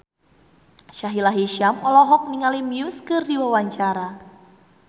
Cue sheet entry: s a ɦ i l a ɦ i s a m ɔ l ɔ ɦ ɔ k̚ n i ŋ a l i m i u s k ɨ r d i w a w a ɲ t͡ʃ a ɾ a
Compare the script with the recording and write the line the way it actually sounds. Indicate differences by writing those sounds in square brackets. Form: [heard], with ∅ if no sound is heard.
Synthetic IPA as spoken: [ʃ] a ɦ i l a ɦ i [ʃ] a m ɔ l ɔ ɦ ɔ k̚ n i ŋ a l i m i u s k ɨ r d i w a w a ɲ t͡ʃ a ɾ a

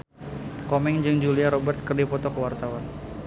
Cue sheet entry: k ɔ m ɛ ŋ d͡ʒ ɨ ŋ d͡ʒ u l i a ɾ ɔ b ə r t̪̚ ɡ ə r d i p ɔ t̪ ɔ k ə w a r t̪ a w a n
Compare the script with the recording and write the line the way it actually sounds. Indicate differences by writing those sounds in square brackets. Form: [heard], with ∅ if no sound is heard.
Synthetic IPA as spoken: k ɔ m ɛ ŋ d͡ʒ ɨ ŋ d͡ʒ u l i a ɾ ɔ b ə r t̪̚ [k] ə r d i p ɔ t̪ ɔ k ə w a r t̪ a w a n

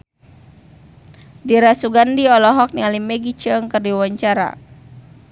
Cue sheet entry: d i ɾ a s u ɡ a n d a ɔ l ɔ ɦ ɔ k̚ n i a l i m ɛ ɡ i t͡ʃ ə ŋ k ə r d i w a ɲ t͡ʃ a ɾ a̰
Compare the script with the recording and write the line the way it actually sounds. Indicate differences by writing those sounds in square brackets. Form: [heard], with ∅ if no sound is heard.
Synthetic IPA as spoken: d i ɾ a s u ɡ a n d [i] ɔ l ɔ ɦ ɔ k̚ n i a l i m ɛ ɡ i t͡ʃ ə ŋ k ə r d i w a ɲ t͡ʃ a ɾ a̰

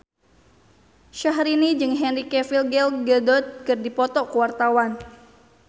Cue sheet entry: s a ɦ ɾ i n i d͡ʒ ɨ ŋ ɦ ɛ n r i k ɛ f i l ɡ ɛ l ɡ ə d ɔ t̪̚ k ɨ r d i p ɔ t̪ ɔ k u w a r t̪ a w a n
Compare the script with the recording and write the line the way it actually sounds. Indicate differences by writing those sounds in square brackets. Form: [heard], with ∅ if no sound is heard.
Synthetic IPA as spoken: [ʃ] a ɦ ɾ i n i d͡ʒ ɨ ŋ ɦ ɛ n r i k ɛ f i l ɡ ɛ l ɡ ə d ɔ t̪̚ k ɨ r d i p ɔ t̪ ɔ k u w a r t̪ a w a n

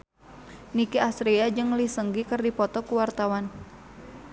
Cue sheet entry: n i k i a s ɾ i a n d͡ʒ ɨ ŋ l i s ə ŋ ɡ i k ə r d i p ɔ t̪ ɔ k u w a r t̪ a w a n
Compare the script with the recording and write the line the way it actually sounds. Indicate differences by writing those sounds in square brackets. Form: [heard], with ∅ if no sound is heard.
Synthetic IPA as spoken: n i k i a s ɾ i a [∅] d͡ʒ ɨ ŋ l i s ə ŋ ɡ i k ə r d i p ɔ t̪ ɔ k u w a r t̪ a w a n

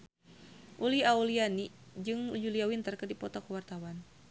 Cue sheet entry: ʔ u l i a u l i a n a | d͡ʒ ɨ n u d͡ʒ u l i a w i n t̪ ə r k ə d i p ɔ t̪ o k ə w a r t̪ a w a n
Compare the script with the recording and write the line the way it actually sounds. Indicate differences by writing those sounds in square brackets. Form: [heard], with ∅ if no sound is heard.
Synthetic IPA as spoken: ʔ u l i a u l i a n [i] | d͡ʒ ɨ [ŋ] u d͡ʒ u l i a w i n t̪ ə r k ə d i p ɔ t̪ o k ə w a r t̪ a w a n

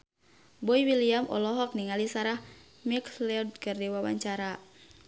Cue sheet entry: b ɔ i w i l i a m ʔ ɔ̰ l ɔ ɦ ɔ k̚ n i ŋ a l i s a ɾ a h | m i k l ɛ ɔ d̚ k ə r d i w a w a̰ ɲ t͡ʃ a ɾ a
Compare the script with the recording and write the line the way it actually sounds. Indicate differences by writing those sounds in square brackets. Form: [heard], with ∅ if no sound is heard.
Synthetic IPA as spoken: b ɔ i w i l i a m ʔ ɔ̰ l ɔ ɦ ɔ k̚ n i ŋ a l i s a ɾ a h | m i k l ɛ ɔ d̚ k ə r d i w a w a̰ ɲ t͡ʃ a ɾ a

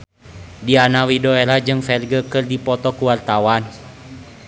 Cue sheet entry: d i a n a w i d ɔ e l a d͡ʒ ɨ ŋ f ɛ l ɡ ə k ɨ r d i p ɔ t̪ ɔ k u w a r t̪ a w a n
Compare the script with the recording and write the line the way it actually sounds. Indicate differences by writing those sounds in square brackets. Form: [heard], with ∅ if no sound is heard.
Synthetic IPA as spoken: d i a n a w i d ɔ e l a d͡ʒ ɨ ŋ f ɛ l ɡ ə k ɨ r d i p ɔ t̪ ɔ k u w a r t̪ a w a n

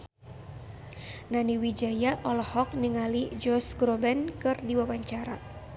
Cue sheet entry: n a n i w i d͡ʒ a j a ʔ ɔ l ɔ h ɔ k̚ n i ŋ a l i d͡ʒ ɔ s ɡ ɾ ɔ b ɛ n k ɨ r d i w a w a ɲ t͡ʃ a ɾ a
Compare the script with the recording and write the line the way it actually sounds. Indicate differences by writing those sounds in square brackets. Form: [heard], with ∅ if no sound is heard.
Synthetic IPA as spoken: n a n i w i d͡ʒ a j a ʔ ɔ l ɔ h ɔ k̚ n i ŋ a l i d͡ʒ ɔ s ɡ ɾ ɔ b ɛ n k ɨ r d i w a w a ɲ t͡ʃ a ɾ a

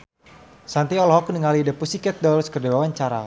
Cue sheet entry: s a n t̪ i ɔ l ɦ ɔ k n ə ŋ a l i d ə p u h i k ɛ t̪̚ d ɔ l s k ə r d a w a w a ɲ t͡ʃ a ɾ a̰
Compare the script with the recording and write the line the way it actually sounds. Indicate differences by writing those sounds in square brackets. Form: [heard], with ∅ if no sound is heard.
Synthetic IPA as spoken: s a n t̪ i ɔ l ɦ ɔ k n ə ŋ a l i d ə p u [s] i k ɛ t̪̚ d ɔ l s k ə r d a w a w a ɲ t͡ʃ a ɾ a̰

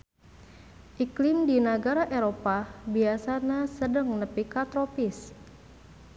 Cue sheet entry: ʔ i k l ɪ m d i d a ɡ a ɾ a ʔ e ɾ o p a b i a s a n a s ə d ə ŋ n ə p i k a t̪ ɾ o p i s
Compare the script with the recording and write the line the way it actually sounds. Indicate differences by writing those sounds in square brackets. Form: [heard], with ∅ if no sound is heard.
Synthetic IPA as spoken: ʔ i k l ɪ m d i [n] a ɡ a ɾ a ʔ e ɾ o p a b i a s a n a s ə d ə ŋ n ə p i k a t̪ ɾ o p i s

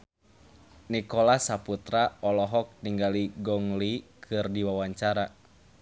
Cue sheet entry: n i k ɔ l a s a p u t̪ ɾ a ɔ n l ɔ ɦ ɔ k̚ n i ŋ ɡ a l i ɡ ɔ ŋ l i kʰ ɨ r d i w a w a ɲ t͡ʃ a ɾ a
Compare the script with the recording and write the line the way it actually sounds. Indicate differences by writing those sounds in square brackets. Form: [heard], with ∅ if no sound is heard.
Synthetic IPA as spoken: n i k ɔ l a s a p u t̪ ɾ a ɔ [∅] l ɔ ɦ ɔ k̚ n i ŋ ɡ a l i ɡ ɔ ŋ l i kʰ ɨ r d i w a w a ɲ t͡ʃ a ɾ a

